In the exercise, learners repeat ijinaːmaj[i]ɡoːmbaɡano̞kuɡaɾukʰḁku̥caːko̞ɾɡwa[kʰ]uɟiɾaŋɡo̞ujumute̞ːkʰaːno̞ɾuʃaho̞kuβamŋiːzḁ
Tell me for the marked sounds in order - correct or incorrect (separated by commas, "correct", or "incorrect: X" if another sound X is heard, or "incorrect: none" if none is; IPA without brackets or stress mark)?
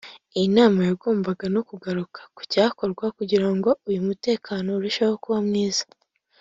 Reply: incorrect: a, incorrect: k